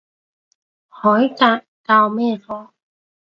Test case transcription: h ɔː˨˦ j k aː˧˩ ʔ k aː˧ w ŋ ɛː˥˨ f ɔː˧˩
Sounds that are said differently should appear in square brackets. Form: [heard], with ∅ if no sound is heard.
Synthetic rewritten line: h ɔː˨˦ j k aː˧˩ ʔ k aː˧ w [m] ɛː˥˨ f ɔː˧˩

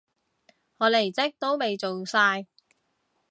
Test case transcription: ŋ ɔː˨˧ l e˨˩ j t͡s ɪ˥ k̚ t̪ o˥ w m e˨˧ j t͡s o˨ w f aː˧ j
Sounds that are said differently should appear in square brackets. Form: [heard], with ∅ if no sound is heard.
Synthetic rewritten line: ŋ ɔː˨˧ l e˨˩ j t͡s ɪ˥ k̚ t̪ o˥ w m e˨˧ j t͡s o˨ w [s] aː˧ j

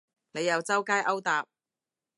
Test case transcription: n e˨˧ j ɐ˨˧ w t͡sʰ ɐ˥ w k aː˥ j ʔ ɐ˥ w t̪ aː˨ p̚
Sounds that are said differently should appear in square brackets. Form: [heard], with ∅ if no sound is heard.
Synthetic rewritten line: n e˨˧ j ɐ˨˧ w [t͡s] ɐ˥ w k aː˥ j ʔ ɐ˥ w t̪ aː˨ p̚

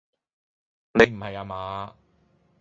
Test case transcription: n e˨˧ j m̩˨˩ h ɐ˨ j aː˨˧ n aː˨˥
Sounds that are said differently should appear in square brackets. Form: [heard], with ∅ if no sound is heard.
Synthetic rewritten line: n e˨˧ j m̩˨˩ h ɐ˨ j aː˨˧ [m] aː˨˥

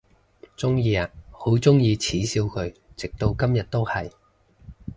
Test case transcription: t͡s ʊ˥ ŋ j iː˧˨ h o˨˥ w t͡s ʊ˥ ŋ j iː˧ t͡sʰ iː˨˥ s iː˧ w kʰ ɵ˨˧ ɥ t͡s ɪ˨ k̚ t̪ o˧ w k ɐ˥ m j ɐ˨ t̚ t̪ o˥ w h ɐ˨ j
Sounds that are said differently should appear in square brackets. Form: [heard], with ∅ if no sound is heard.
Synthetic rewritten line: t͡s ʊ˥ ŋ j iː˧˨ h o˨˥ w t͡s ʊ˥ ŋ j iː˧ t͡sʰ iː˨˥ s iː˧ w kʰ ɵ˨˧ ɥ t͡s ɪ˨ k̚ t̪ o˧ w k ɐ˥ m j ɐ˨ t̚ t̪ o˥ w h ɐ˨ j

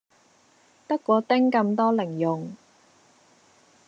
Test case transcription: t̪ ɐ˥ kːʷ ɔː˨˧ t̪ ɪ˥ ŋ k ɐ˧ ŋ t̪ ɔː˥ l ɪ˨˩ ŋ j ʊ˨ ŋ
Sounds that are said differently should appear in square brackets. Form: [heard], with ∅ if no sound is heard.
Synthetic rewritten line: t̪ ɐ˥ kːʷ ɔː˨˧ t̪ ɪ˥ ŋ k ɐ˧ [m] t̪ ɔː˥ l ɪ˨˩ ŋ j ʊ˨ ŋ

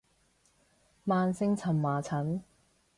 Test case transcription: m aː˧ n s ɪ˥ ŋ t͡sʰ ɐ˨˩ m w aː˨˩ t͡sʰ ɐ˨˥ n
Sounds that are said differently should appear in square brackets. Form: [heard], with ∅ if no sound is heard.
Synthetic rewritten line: m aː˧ n s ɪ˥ ŋ t͡sʰ ɐ˨˩ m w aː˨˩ t͡sʰ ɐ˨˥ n

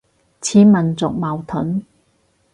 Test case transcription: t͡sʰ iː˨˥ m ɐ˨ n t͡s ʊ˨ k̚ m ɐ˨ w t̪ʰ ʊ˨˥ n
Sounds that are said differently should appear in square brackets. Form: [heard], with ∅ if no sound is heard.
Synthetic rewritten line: t͡sʰ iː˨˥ m ɐ˨ n t͡s ʊ˨ k̚ m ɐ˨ w t̪ʰ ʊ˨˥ n

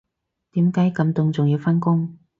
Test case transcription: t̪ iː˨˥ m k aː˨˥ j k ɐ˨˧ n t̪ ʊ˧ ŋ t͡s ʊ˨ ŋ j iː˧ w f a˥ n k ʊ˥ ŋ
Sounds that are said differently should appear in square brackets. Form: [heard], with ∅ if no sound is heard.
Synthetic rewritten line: t̪ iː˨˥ m k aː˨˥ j k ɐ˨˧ [m] t̪ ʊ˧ ŋ t͡s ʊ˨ ŋ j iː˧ w f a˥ n k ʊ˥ ŋ

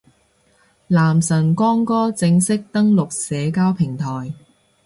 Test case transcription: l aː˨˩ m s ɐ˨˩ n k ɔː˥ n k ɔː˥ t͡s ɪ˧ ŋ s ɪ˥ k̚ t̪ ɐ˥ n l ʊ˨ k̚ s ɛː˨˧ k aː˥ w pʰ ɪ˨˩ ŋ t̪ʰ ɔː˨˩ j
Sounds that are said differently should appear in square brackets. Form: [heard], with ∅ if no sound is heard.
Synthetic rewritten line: l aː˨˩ m s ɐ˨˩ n k ɔː˥ [ŋ] k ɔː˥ t͡s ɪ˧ ŋ s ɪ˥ k̚ t̪ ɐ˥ [ŋ] l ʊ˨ k̚ s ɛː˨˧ k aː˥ w pʰ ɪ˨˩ ŋ t̪ʰ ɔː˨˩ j

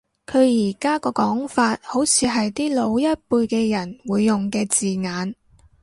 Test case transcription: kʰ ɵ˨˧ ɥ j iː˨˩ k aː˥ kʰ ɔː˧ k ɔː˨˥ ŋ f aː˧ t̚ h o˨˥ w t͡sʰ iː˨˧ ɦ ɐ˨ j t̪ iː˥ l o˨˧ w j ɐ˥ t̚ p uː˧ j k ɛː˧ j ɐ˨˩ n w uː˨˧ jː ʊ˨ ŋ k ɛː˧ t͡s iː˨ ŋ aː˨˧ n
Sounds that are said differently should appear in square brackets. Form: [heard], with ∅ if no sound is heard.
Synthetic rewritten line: kʰ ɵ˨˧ ɥ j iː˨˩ k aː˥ [k] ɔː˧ k ɔː˨˥ ŋ f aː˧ t̚ h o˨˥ w t͡sʰ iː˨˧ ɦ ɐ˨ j t̪ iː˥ l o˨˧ w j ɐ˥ t̚ p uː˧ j k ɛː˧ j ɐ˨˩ n w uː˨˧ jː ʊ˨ ŋ k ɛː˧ t͡s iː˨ ŋ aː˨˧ n

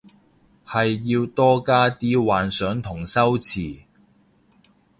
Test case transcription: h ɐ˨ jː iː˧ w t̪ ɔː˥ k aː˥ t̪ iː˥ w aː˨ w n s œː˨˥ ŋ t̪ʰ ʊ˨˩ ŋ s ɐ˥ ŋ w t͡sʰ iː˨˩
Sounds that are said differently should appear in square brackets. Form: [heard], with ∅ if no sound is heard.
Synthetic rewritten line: h ɐ˨ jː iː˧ w t̪ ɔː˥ k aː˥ t̪ iː˥ w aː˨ [∅] n s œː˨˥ ŋ t̪ʰ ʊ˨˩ ŋ s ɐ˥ [∅] w t͡sʰ iː˨˩

